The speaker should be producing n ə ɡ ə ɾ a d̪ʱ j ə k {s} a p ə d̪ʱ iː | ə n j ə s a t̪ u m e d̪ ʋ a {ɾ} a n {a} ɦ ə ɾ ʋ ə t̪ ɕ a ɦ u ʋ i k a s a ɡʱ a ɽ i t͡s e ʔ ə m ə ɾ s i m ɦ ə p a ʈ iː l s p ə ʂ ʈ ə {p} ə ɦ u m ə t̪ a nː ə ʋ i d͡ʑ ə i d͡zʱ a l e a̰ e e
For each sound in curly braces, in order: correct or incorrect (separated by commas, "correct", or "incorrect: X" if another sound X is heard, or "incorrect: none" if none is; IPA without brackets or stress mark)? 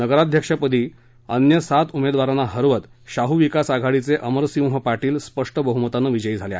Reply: incorrect: ʂ, correct, correct, incorrect: b